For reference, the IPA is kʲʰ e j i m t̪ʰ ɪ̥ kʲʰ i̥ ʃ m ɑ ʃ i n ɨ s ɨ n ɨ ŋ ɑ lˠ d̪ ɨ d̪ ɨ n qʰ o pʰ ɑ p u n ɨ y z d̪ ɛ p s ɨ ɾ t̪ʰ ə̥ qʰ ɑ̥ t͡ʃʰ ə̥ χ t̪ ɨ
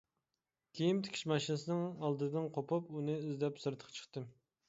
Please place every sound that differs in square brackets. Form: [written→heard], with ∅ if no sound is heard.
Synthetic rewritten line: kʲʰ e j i m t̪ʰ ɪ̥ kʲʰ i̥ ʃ m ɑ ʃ i n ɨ s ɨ n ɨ ŋ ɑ lˠ d̪ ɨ d̪ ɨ n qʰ o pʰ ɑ p u n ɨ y z d̪ ɛ p s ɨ ɾ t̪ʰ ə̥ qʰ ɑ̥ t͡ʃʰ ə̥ χ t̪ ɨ